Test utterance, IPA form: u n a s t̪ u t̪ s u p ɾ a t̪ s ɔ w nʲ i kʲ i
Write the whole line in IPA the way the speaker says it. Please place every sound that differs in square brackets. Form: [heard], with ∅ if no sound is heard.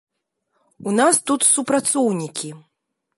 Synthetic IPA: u n a s t̪ u t̪ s u p ɾ a t̪ s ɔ w nʲ i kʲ i